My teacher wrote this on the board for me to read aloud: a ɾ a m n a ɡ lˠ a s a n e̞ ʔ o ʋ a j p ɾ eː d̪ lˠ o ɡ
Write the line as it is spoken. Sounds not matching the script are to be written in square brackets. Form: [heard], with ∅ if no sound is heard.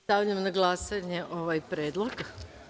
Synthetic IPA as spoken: a [ʎ] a m n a ɡ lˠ a s a [ɲ] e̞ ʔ o ʋ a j p ɾ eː d̪ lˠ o ɡ